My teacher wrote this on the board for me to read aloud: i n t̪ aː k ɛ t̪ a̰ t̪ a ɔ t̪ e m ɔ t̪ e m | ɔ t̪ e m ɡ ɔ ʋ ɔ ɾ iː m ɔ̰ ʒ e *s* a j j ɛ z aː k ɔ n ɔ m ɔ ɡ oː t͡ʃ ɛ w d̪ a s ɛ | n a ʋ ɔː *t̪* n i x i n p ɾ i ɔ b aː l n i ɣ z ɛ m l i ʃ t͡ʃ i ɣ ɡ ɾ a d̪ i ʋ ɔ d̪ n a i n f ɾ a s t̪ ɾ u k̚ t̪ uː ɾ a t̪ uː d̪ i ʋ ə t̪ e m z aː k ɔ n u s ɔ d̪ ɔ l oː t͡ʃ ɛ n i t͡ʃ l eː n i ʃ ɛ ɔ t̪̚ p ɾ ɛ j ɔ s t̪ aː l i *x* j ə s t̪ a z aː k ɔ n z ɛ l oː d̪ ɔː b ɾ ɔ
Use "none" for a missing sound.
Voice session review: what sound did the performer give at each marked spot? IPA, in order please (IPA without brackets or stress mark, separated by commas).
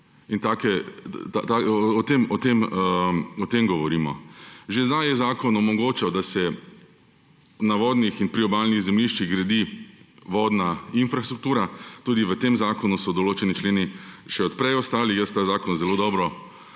z, d̪, x